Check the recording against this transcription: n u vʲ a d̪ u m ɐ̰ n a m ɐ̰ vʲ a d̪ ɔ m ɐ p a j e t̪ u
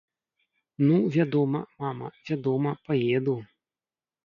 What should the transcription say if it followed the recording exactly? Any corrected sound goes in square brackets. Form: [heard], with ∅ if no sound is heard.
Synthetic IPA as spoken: n u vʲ a d̪ [ɔ] m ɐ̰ [m] a m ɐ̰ vʲ a d̪ ɔ m ɐ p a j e [d̪] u